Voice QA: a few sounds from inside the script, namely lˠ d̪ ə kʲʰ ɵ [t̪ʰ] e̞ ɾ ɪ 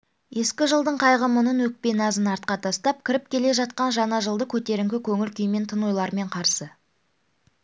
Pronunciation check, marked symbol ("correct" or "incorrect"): incorrect